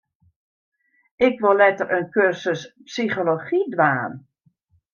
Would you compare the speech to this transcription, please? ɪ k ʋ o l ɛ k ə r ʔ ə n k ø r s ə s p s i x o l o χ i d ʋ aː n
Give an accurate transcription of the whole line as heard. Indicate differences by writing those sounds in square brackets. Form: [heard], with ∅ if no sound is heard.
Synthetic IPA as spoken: ɪ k ʋ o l ɛ [t] ə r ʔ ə n k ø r s ə s p s i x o l o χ i d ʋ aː n